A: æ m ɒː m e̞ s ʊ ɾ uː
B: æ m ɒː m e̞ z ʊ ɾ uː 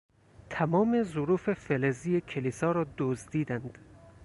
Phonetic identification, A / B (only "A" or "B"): B